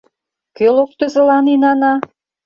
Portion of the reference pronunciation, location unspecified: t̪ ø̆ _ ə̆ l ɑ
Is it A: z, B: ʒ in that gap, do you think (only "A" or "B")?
A